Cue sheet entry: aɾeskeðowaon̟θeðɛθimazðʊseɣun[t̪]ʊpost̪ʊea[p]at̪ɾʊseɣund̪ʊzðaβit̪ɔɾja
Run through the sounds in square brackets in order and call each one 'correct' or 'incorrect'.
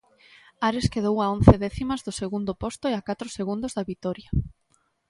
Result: incorrect, incorrect

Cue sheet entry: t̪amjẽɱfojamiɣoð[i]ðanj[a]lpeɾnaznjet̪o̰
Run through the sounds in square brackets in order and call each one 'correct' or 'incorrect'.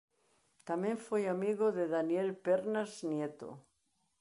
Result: incorrect, incorrect

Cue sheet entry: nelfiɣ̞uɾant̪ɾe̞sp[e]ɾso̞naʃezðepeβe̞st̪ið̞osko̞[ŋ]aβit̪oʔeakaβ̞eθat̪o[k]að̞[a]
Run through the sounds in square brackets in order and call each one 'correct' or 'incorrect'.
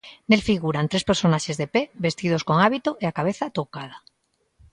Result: correct, correct, correct, correct

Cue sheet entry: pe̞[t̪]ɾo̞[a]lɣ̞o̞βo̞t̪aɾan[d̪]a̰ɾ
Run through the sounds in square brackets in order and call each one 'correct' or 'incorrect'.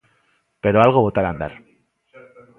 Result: incorrect, correct, correct

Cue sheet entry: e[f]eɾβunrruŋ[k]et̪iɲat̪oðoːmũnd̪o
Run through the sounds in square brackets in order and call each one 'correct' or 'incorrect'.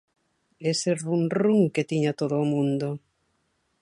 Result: incorrect, correct

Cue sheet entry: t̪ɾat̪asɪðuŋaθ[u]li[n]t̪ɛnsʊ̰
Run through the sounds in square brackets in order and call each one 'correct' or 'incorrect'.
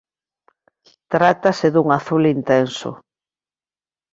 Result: correct, correct

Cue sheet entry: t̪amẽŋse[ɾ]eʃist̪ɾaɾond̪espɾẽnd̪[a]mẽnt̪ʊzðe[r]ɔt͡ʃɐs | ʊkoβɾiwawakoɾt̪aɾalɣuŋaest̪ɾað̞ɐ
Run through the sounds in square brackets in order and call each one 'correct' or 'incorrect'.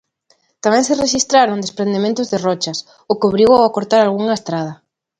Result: incorrect, incorrect, correct

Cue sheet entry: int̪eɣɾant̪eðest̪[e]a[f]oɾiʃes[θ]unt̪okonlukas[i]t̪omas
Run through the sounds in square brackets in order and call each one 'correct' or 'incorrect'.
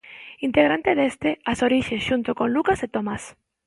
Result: correct, incorrect, incorrect, incorrect

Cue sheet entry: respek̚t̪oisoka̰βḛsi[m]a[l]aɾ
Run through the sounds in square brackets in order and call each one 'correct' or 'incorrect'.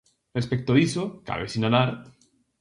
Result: incorrect, correct

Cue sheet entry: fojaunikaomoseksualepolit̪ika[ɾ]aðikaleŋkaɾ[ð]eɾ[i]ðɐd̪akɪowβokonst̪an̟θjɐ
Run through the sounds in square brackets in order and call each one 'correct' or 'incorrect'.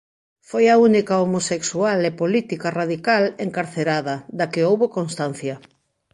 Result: incorrect, incorrect, incorrect

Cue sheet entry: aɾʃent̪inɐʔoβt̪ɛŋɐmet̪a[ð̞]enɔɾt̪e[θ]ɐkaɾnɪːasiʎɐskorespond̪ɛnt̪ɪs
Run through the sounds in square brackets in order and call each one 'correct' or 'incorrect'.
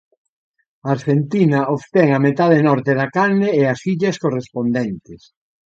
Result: correct, incorrect

